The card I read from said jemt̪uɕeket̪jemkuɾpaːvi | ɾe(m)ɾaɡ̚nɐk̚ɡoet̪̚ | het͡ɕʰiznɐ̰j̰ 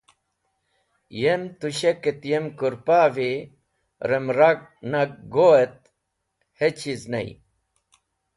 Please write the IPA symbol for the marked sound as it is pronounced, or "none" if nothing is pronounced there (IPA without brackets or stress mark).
m